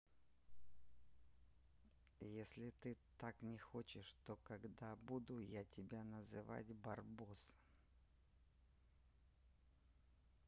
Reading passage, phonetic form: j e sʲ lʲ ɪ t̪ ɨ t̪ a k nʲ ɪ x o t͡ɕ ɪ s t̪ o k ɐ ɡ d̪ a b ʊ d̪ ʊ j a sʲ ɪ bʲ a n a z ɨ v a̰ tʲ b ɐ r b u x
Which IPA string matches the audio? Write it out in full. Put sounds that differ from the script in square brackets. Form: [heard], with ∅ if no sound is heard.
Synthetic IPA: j e sʲ lʲ ɪ t̪ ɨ t̪ a k nʲ ɪ x o t͡ɕ ɪ [ʂ] t̪ o k ɐ ɡ d̪ a b [u] d̪ ʊ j a [tʲ] ɪ bʲ a n [ə] z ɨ v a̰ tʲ b ɐ r b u [s]